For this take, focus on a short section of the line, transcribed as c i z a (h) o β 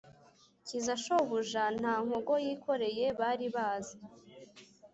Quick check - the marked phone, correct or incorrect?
incorrect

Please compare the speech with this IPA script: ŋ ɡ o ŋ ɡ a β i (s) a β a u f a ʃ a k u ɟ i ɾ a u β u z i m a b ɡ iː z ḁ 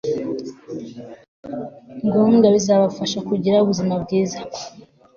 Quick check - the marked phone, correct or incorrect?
incorrect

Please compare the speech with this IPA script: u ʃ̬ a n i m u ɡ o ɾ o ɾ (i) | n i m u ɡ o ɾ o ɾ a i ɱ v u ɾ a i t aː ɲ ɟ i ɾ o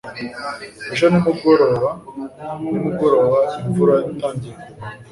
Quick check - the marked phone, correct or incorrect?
incorrect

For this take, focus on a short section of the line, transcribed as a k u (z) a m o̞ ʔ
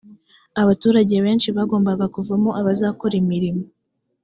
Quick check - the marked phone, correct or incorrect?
incorrect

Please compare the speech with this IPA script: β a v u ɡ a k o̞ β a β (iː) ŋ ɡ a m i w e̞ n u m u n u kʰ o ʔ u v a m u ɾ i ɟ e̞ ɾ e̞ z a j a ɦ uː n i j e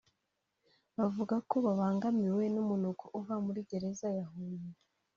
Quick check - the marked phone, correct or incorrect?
incorrect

